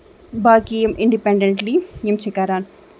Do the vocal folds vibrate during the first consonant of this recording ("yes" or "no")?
yes